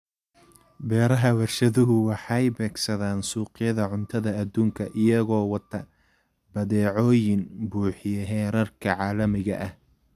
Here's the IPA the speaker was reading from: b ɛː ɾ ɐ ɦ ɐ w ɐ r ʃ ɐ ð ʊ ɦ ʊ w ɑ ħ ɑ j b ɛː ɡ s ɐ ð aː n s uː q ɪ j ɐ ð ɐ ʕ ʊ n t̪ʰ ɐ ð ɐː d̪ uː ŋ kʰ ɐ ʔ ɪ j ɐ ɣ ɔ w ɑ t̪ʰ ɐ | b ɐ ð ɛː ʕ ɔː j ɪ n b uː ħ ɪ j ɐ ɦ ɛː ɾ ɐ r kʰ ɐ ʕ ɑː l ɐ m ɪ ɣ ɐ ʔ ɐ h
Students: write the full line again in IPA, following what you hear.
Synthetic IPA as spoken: b ɛː ɾ ɐ ɦ ɐ w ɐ r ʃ ɐ ð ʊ ɦ ʊ w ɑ ħ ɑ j b ɛː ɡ s ɐ ð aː n s uː q ɪ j ɐ ð ɐ ʕ ʊ n t̪ʰ ɐ ð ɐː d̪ uː ŋ kʰ ɐ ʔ ɪ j ɐ ɣ ɔː w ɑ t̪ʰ ɐ | b ɐ ð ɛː ʕ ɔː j ɪ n b uː ħ ɪ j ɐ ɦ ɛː ɾ ɐ r kʰ ɐ ʕ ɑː l ɐ m ɪ ɣ ɐ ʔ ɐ h